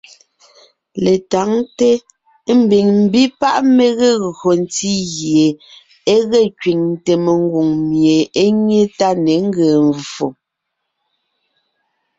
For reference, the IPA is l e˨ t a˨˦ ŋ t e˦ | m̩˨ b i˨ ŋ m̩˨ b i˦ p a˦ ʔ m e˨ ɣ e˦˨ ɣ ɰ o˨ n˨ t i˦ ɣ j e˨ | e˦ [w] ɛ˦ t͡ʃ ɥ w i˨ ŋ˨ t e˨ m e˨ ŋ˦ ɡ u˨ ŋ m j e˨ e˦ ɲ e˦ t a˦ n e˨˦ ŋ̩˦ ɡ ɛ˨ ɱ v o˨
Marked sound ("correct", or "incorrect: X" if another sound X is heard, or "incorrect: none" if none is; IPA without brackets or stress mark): incorrect: ɣ